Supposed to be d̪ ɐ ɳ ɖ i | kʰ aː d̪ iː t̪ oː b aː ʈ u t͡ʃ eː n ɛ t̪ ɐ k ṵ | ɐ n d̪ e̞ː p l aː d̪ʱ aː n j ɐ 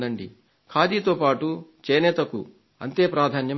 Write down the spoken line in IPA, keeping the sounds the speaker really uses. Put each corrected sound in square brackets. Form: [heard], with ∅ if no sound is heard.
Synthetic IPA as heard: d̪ ɐ ɳ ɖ i | kʰ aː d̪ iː t̪ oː [p] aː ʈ u t͡ʃ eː n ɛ t̪ ɐ k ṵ | ɐ n [t̪] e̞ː p [ɾ] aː d̪ʱ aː n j ɐ